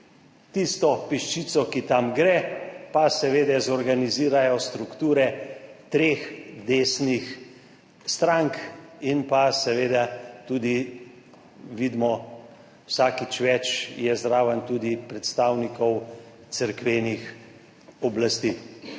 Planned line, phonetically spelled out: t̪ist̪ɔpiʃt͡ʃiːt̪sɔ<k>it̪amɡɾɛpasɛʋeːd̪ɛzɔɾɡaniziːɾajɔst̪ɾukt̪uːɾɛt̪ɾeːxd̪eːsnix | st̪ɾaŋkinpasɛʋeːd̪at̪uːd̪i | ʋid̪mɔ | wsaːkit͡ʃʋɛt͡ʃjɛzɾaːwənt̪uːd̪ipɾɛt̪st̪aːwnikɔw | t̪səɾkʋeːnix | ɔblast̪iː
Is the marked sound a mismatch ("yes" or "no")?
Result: no